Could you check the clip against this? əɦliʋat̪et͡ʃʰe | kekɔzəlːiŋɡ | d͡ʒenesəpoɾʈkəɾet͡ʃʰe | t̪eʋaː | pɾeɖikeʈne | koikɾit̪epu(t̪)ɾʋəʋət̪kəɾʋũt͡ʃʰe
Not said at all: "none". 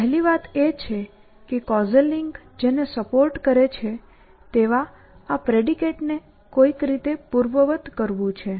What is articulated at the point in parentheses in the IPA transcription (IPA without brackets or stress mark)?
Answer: none